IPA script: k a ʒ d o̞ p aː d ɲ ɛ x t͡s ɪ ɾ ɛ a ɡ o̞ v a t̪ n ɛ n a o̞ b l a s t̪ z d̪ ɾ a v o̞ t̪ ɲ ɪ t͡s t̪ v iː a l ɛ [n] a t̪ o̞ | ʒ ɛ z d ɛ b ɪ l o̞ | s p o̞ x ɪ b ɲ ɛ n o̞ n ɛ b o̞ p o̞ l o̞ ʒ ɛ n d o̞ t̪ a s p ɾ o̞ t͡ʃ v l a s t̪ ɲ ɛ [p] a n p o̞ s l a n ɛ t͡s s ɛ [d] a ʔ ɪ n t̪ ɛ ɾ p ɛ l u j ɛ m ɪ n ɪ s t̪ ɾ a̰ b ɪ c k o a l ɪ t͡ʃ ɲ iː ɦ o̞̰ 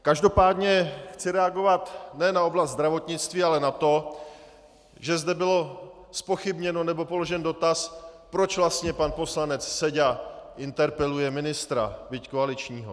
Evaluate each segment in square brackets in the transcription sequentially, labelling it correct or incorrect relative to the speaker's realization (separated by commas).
correct, correct, incorrect